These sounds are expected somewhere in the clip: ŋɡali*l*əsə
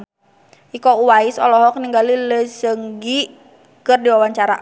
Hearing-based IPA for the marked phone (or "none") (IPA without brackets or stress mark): l